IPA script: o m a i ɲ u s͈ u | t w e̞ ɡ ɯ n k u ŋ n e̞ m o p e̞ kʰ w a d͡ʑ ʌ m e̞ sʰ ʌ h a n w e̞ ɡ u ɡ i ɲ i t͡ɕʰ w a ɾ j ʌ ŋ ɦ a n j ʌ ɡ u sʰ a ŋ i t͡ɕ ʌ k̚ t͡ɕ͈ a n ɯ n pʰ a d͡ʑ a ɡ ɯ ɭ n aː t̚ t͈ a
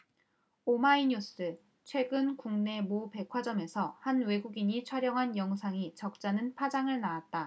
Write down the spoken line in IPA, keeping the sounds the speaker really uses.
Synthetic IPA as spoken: o m a i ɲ u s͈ ɯ | t͡ɕʰ w e̞ ɡ ɯ n k u ŋ n e̞ m o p e̞ kʰ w a d͡ʑ ʌ m e̞ sʰ ʌ h a n w e̞ ɡ u ɡ i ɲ i t͡ɕʰ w a ɾ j ʌ ŋ ɦ a n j ʌ ŋ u sʰ a ŋ i t͡ɕ ʌ k̚ t͡ɕ͈ a n ɯ n pʰ a d͡ʑ a ŋ ɯ ɭ n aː t̚ t͈ a